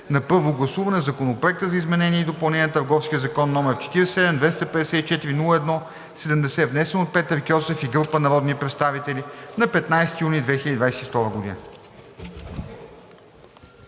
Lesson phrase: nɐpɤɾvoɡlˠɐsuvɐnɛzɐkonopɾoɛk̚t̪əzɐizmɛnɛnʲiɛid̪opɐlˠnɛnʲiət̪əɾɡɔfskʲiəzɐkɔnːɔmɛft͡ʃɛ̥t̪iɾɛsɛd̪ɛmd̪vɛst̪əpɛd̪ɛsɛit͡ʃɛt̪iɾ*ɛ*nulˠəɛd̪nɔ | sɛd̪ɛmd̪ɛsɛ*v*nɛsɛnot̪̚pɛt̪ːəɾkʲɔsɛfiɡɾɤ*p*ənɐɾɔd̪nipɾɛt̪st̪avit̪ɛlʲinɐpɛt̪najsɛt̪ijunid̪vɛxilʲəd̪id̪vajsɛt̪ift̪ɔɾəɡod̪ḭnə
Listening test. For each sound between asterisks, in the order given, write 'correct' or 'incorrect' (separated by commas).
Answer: incorrect, correct, correct